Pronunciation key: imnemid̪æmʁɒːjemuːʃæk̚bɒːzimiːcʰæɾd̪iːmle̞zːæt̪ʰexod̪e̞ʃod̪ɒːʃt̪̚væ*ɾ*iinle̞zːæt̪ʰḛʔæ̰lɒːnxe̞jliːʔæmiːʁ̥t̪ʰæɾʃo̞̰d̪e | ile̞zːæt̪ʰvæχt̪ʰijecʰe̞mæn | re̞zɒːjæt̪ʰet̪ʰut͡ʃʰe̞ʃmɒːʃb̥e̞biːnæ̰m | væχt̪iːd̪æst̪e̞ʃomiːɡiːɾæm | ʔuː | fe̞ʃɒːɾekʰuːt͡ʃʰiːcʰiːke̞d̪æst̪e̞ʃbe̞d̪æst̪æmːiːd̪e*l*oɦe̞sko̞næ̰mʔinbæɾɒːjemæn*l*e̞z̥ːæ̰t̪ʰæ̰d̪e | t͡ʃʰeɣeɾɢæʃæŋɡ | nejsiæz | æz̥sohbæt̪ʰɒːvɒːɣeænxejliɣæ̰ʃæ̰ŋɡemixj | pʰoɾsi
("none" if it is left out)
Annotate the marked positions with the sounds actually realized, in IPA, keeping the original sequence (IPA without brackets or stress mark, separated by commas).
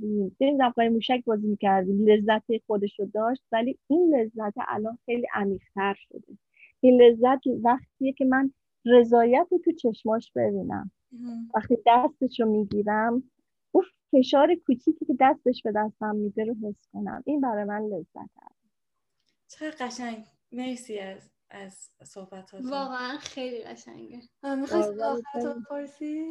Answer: l, ɾ, l